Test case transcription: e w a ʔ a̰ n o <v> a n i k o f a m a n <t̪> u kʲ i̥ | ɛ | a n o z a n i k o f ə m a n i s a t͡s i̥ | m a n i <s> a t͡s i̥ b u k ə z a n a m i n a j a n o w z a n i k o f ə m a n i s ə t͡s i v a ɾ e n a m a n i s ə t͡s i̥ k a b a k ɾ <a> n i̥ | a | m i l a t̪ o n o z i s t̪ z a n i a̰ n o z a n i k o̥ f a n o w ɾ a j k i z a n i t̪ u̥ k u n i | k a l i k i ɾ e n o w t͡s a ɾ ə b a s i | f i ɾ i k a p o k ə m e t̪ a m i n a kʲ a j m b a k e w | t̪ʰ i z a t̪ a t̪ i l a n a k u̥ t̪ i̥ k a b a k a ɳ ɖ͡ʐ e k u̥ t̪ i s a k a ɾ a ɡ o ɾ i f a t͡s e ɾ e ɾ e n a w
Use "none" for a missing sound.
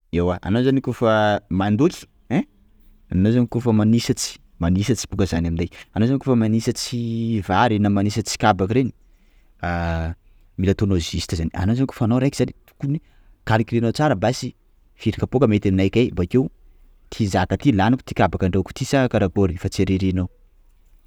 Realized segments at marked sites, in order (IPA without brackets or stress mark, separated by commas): z, d̪, s, e